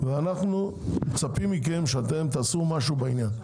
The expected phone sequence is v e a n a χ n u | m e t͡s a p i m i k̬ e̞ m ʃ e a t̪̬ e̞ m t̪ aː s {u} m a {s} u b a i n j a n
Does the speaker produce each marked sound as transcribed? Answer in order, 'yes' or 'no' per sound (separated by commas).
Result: yes, no